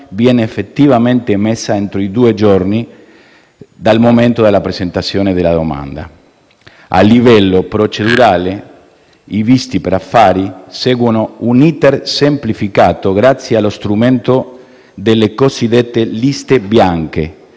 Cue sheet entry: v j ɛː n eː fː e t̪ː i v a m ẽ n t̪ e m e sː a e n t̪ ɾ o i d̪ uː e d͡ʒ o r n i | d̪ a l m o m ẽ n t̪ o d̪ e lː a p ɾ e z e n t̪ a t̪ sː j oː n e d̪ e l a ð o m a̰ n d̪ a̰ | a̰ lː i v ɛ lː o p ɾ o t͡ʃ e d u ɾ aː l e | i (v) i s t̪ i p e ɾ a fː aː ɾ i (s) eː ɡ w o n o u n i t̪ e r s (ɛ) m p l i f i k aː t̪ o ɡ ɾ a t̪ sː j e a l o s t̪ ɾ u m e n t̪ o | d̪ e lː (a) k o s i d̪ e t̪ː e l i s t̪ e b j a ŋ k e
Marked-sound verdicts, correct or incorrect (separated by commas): correct, correct, incorrect, incorrect